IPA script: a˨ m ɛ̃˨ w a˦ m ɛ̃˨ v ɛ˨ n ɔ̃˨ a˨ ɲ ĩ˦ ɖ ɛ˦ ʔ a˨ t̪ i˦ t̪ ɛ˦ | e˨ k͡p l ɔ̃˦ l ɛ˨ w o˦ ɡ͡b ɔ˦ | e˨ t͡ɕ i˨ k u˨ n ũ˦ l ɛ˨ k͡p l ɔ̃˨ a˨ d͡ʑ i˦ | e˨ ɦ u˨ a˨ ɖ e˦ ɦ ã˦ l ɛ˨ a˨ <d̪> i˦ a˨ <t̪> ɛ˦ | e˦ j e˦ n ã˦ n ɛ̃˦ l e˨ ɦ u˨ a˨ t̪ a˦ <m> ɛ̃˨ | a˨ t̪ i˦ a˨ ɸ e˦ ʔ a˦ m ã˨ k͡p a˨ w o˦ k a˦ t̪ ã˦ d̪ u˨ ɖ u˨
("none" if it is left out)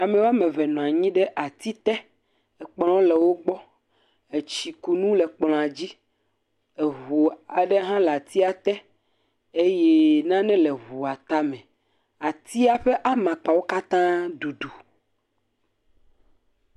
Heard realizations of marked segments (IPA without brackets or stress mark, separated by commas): t̪, t̪, m